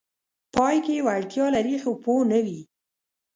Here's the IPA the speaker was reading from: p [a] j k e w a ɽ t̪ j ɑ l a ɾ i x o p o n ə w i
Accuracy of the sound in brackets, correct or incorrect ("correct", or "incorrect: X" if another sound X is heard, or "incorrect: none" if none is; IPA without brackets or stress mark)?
incorrect: ɑ